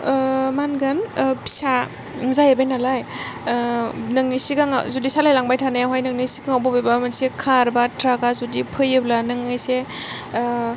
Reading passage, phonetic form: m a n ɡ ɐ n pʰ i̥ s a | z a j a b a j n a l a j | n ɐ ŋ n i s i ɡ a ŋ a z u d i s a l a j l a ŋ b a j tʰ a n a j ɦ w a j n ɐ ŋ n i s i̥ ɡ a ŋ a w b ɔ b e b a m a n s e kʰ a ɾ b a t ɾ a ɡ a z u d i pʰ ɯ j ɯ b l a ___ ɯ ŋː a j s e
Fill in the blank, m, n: n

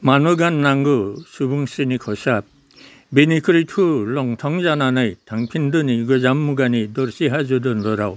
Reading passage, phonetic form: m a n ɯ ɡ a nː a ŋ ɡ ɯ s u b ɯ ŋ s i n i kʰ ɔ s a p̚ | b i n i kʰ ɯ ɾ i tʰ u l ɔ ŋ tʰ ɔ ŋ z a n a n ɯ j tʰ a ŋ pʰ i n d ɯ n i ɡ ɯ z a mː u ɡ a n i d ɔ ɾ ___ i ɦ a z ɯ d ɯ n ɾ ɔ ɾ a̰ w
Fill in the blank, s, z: s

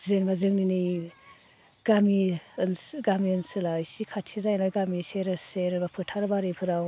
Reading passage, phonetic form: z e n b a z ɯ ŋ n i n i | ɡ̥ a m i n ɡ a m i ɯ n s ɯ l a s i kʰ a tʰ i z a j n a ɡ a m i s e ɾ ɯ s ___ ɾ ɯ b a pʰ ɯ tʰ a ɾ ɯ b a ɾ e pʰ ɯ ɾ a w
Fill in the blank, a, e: e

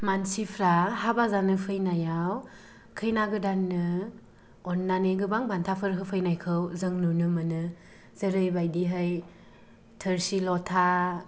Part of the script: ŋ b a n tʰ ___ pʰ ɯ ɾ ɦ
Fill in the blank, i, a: a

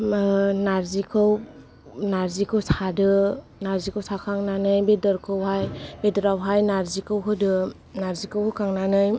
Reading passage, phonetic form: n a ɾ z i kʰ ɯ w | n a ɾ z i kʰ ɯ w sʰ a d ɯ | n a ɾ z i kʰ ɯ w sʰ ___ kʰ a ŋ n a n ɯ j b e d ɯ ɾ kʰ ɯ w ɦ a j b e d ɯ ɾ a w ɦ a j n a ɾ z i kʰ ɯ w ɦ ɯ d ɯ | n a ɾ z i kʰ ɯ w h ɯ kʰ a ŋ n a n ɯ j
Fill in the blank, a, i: a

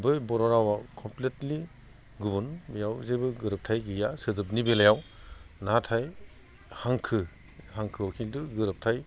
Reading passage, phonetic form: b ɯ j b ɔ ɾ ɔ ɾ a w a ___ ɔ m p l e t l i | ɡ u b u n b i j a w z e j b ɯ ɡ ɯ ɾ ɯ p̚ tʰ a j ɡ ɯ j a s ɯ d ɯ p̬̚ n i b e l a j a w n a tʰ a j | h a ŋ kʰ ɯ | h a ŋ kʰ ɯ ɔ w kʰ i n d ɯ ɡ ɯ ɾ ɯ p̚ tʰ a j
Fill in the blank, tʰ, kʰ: kʰ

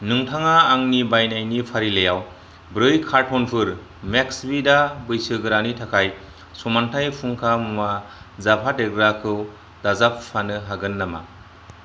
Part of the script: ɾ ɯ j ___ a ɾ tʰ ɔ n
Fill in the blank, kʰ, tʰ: kʰ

